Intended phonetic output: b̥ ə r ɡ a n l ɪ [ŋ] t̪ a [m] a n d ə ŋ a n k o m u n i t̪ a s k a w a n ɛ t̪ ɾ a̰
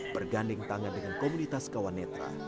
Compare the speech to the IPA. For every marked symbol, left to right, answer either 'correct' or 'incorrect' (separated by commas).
correct, incorrect